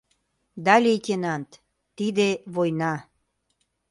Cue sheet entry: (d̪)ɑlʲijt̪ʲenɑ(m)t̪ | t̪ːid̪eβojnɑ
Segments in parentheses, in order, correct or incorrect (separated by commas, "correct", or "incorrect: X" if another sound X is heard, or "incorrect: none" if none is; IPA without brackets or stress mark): correct, incorrect: n